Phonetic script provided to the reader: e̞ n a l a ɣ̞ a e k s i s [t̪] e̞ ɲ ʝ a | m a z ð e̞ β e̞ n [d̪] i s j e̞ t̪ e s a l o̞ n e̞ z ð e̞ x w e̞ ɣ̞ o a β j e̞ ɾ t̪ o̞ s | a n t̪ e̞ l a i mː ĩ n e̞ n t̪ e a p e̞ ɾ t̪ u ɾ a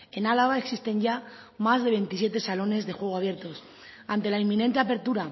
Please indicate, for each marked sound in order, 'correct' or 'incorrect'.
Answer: correct, incorrect

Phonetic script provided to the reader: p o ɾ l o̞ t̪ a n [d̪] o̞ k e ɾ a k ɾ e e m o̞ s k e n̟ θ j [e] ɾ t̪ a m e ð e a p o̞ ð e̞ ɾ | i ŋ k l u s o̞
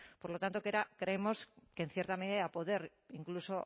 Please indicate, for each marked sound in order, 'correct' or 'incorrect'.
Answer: incorrect, correct

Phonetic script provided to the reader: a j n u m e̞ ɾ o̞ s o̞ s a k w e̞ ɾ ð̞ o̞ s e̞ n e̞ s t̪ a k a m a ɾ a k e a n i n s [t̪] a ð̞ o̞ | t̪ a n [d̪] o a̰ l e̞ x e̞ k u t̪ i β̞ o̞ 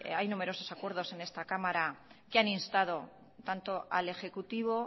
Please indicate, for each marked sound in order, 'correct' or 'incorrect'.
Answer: correct, incorrect

